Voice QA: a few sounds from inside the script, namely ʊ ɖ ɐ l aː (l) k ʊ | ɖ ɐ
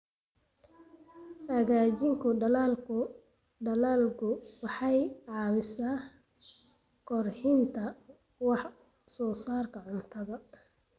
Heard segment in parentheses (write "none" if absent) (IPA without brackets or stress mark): l